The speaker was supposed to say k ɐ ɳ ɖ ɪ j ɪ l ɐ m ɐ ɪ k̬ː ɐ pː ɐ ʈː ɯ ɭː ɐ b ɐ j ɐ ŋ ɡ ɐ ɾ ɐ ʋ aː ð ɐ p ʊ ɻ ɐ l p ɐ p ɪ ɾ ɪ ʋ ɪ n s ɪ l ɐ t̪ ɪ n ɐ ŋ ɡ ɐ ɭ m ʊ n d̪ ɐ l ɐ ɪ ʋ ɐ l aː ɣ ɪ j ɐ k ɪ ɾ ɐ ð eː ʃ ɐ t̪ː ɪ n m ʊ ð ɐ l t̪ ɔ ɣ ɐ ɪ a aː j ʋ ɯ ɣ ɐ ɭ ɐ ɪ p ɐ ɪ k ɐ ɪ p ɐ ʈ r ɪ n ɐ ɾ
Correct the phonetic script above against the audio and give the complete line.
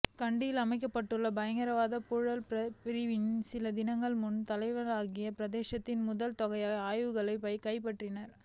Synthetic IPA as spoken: k ɐ ɳ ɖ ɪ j ɪ l ɐ m ɐ ɪ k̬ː ɐ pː ɐ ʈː ɯ ɭː ɐ b ɐ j ɐ ŋ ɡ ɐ ɾ ɐ ʋ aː ð ɐ p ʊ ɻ ɐ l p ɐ p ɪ ɾ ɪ ʋ ɪ n s ɪ l ɐ d̪ ɪ n ɐ ŋ ɡ ɐ ɭ m ʊ n t̪ ɐ l ɐ ɪ ʋ ɐ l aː ɣ ɪ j ɐ p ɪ ɾ ɐ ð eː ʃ ɐ t̪ː ɪ n m ʊ ð ɐ l t̪ ɔ ɣ ɐ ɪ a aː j ʋ ɯ ɣ ɐ ɭ ɐ ɪ p ɐ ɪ k ɐ ɪ p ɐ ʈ r ɪ n ɐ ɾ